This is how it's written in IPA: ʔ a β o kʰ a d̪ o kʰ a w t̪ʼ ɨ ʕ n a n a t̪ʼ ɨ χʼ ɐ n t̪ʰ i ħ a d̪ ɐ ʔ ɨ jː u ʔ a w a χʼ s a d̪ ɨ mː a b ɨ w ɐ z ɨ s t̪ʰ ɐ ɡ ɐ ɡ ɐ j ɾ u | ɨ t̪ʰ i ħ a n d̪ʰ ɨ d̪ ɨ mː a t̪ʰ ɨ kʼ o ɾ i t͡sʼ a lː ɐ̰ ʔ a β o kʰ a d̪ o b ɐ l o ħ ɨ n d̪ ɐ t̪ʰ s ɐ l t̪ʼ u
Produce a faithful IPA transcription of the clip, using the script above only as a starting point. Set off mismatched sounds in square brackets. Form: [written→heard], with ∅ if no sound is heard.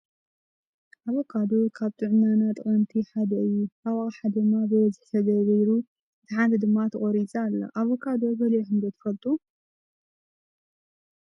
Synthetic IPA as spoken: ʔ a β o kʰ a d̪ o kʰ a [w→β] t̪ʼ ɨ ʕ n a n a t̪ʼ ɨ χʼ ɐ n t̪ʰ i ħ a d̪ ɐ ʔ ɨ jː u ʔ a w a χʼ [s→ħ] a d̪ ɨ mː a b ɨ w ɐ z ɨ [s→ħ] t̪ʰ ɐ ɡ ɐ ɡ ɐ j ɾ u | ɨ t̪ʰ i ħ a n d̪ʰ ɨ d̪ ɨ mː a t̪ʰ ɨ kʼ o ɾ i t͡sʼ a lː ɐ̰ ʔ a β o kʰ a d̪ o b ɐ l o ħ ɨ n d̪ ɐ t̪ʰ [s→f] ɐ l t̪ʼ u